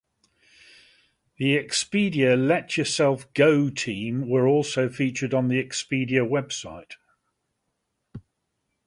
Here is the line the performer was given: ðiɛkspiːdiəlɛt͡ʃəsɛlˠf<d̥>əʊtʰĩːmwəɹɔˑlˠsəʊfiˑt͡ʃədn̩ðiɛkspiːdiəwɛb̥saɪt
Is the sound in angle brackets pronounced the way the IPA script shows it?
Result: no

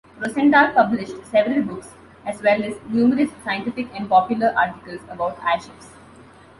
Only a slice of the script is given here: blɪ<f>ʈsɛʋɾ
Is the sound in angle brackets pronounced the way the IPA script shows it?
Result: no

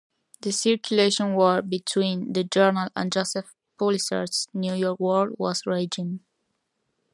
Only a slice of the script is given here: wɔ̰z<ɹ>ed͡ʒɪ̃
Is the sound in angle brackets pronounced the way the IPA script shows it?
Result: yes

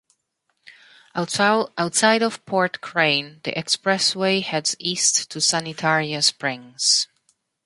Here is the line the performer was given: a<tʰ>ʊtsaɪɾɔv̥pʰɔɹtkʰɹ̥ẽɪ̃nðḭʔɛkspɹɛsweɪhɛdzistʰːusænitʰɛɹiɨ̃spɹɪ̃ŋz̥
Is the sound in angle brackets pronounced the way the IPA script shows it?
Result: no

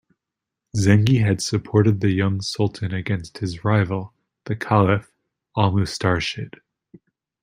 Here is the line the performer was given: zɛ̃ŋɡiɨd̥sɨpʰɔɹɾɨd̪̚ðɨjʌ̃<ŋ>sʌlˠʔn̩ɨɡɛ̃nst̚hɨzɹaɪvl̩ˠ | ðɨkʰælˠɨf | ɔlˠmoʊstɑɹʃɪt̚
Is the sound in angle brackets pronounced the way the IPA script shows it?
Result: yes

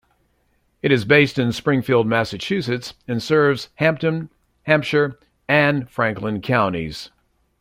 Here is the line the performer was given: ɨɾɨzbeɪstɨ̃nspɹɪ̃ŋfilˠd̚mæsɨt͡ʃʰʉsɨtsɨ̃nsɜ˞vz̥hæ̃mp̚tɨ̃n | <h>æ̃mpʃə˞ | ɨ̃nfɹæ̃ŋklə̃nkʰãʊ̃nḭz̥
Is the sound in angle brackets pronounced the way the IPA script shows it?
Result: yes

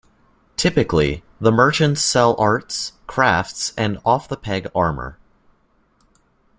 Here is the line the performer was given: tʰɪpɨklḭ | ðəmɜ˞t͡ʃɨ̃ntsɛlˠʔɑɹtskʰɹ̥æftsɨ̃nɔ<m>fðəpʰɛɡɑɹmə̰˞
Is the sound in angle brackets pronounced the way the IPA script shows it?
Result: no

